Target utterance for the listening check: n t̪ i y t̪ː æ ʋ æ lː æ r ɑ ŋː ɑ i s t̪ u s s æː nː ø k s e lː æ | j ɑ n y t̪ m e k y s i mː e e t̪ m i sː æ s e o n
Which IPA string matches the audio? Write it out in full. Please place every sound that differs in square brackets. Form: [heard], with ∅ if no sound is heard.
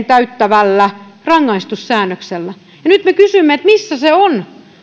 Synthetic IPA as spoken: n t̪ [æ] y t̪ː æ ʋ æ lː æ r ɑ ŋː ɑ i s t̪ u s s æː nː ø k s e lː æ | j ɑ n y t̪ m e k y s [y] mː e e t̪ m i sː æ s e o n